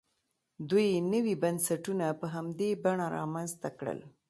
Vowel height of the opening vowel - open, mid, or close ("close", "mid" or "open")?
close